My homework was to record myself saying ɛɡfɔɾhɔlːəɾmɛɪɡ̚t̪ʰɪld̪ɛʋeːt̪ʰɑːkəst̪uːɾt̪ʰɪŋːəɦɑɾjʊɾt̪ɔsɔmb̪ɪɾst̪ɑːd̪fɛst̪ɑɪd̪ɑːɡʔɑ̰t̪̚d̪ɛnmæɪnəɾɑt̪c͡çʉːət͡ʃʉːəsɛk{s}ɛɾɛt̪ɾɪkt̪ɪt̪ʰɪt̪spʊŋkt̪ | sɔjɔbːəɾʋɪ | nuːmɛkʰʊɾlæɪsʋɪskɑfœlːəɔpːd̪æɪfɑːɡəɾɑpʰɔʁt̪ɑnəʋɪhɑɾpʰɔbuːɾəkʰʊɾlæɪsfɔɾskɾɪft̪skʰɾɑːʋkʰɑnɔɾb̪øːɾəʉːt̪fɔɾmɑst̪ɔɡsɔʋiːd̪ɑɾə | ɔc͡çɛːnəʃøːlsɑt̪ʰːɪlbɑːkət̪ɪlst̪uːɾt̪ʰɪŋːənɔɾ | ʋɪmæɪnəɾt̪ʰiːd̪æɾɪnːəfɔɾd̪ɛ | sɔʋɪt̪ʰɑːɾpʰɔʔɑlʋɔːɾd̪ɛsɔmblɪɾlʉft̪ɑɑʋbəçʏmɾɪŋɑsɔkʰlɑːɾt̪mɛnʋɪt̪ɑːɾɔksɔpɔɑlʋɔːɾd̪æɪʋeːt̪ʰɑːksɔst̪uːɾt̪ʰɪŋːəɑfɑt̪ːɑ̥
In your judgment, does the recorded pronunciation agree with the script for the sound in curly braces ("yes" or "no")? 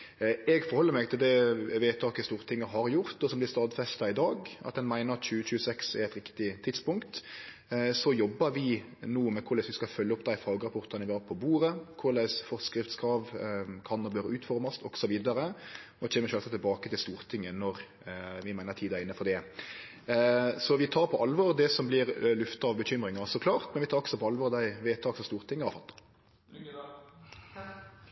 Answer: yes